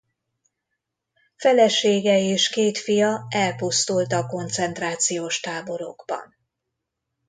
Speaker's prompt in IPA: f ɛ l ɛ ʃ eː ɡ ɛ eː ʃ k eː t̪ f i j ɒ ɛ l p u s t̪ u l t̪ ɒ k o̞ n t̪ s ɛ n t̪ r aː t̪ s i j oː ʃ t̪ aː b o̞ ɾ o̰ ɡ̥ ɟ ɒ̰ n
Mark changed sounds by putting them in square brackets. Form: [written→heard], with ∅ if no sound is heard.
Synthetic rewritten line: f ɛ l ɛ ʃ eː ɡ ɛ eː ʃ k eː t̪ f i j ɒ ɛ l p u s t̪ u l t̪ ɒ k o̞ n t̪ s ɛ n t̪ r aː t̪ s i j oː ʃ t̪ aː b o̞ ɾ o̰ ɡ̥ [ɟ→b] ɒ̰ n

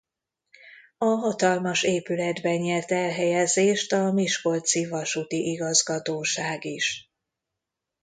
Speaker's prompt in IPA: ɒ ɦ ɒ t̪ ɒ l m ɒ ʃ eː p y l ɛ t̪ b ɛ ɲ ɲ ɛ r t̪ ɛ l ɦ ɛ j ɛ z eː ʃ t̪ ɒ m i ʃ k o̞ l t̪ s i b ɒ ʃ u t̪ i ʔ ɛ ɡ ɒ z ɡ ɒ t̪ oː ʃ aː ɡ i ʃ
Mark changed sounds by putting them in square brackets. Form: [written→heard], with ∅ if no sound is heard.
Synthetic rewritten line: ɒ ɦ ɒ t̪ ɒ l m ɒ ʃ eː p y l ɛ [t̪→d̪] b ɛ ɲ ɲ ɛ r t̪ ɛ l ɦ ɛ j ɛ z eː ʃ t̪ ɒ m i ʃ k o̞ l t̪ s i [b→v] ɒ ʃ u t̪ i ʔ [ɛ→i] ɡ ɒ z ɡ ɒ t̪ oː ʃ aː ɡ i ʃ

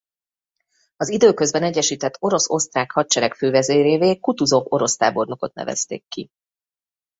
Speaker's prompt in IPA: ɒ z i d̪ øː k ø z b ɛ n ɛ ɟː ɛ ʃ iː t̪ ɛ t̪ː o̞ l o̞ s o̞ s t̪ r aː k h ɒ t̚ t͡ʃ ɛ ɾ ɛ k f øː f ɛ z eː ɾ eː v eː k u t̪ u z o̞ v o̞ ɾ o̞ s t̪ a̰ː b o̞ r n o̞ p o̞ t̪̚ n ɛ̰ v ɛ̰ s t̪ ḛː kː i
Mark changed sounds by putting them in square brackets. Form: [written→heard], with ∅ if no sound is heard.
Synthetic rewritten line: ɒ z i d̪ øː k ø z b ɛ n ɛ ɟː ɛ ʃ iː t̪ ɛ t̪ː o̞ [l→ɾ] o̞ s o̞ s t̪ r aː k h ɒ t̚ t͡ʃ ɛ ɾ ɛ k f øː [f→v] ɛ z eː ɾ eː v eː k u t̪ u z o̞ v o̞ ɾ o̞ s t̪ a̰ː b o̞ r n o̞ [p→k] o̞ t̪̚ n ɛ̰ v ɛ̰ s t̪ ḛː kː i

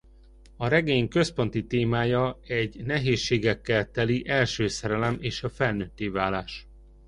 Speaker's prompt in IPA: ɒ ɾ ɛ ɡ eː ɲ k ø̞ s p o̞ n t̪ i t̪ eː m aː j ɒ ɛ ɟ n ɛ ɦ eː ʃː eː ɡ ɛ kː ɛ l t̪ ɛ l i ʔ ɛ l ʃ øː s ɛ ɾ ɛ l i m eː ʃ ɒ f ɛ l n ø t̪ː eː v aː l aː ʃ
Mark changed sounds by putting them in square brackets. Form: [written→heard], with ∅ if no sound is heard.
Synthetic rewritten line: ɒ ɾ ɛ ɡ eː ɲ k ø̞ s p o̞ n t̪ i t̪ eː m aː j ɒ ɛ ɟ n ɛ ɦ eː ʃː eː ɡ ɛ kː ɛ l t̪ ɛ l i ʔ ɛ l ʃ øː s ɛ ɾ ɛ l [i→ɛ] m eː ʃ ɒ f ɛ l n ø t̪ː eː v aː l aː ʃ

